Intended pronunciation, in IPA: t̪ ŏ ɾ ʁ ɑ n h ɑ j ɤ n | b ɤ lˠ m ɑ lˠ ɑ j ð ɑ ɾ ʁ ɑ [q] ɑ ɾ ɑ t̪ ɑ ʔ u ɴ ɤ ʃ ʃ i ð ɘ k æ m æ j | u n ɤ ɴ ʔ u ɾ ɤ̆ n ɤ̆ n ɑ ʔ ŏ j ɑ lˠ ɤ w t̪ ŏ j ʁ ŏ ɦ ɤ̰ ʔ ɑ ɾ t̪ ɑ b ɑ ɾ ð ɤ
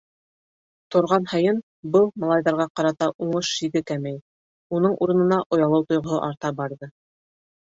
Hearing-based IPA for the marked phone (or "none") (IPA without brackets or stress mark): q